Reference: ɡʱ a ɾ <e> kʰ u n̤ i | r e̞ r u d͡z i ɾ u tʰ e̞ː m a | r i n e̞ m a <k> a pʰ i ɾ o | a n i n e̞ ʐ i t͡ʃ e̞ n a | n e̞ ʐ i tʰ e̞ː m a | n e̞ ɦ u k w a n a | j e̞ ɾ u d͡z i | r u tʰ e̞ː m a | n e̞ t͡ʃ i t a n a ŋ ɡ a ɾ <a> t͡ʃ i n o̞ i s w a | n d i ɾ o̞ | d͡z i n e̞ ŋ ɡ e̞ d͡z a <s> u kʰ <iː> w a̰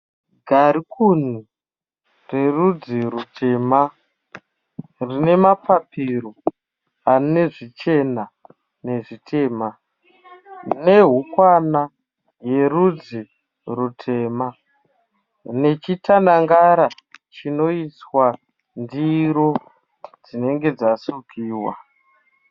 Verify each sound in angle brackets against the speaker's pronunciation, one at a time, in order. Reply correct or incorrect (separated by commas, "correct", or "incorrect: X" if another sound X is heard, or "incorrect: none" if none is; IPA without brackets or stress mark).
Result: incorrect: i, incorrect: p, correct, correct, correct